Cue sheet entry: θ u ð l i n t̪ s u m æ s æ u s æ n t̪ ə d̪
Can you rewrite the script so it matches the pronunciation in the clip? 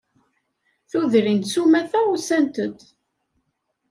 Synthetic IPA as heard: θ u ð ɾ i n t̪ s u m æ θ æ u s æ n t̪ ə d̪